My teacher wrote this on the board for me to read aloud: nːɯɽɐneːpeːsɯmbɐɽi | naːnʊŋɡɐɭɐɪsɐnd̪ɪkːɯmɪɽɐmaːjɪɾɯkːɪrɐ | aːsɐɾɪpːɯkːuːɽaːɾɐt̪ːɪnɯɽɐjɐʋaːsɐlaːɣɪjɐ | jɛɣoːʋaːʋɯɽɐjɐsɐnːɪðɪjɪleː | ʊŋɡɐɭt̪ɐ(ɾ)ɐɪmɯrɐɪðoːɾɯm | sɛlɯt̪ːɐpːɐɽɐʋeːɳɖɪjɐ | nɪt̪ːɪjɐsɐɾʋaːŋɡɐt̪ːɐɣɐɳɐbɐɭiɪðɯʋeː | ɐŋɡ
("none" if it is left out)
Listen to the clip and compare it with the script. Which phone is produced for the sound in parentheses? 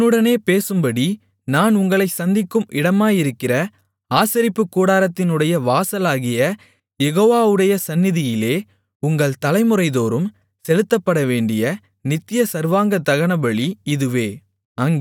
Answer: l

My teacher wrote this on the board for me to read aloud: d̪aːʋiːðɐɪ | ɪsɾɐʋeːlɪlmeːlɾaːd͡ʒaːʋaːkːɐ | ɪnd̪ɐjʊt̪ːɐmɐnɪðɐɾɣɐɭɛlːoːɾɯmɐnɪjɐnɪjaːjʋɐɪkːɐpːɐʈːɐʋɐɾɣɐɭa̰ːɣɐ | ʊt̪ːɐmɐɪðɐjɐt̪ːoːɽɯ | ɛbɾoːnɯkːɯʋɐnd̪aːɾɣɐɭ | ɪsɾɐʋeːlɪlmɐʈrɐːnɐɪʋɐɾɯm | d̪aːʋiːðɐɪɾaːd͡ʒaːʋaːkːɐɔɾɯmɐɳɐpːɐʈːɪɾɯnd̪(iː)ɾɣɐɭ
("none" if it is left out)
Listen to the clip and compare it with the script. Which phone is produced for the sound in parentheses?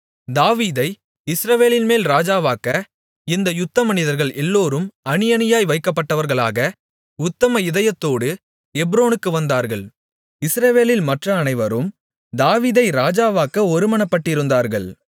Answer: aː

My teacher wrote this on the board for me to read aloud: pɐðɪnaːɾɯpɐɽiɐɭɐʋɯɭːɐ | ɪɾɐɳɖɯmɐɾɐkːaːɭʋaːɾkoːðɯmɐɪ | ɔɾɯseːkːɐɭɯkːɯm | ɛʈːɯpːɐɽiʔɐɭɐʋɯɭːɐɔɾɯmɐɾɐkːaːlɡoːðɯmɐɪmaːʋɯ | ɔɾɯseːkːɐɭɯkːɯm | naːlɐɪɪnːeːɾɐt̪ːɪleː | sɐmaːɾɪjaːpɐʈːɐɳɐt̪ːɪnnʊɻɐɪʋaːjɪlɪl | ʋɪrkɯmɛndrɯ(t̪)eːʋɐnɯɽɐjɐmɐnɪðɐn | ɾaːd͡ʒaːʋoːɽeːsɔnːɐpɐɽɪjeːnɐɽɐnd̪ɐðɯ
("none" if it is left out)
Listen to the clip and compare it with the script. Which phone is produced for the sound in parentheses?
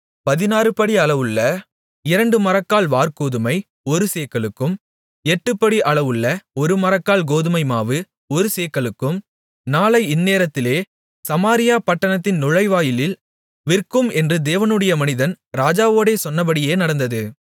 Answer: d̪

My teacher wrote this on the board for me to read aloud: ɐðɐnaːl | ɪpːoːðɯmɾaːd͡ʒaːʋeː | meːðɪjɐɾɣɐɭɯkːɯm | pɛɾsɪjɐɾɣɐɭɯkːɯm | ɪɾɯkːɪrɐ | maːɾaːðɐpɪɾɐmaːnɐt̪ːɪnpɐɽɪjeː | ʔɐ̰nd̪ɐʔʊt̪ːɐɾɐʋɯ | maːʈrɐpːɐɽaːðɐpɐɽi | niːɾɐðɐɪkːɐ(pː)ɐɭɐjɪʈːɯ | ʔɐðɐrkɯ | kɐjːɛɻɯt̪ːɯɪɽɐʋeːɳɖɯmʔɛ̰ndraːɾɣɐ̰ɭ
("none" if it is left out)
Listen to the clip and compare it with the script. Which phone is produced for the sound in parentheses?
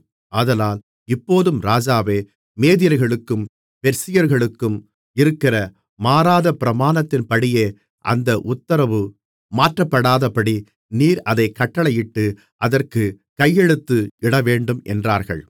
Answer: ʈː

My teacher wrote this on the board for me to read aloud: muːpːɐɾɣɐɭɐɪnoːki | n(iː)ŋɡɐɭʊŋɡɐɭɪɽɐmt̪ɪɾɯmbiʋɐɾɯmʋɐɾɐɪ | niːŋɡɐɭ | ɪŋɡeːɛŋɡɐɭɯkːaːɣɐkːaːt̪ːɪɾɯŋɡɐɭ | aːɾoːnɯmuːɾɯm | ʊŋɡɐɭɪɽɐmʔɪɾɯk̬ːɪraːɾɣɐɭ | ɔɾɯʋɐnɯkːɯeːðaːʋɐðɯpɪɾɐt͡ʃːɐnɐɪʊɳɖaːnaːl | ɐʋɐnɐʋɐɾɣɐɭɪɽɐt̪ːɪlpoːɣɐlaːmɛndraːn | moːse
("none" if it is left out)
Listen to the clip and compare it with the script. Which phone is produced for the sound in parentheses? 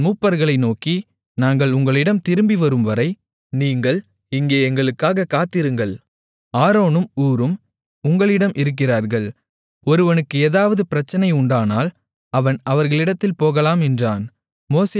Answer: aː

